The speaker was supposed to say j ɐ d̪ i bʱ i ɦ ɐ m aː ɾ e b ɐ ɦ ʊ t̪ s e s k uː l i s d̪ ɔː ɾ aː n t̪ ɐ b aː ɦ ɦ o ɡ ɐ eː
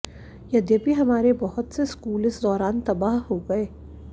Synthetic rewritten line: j ɐ d̪ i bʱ i ɦ ɐ m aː ɾ e b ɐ ɦ ʊ t̪ s e s k uː l ɪ s d̪ ɔː ɾ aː n t̪ ɐ b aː ɦ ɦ o ɡ ɐ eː